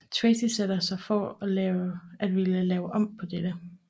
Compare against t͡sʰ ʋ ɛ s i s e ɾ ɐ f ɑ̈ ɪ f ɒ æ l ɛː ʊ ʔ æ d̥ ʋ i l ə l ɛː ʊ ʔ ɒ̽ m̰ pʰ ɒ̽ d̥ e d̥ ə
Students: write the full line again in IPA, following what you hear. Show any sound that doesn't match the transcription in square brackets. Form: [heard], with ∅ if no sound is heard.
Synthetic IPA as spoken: t͡sʰ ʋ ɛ s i s e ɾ ɐ [s] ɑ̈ ɪ f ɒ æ l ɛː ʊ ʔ æ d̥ ʋ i l ə l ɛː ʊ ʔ ɒ̽ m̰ pʰ ɒ̽ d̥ e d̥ ə